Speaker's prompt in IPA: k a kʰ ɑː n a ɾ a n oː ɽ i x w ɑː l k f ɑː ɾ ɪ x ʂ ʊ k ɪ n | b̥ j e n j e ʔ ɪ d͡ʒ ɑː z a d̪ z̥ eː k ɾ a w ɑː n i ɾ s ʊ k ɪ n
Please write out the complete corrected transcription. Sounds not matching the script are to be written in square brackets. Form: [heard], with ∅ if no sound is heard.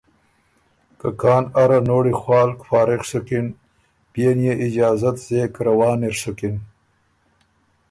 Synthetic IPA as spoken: k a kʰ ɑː n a ɾ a n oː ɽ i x w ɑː l k f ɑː ɾ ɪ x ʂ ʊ k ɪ n | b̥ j e n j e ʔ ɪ d͡ʒ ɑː z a [t̪] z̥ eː k ɾ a w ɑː n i ɾ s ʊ k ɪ n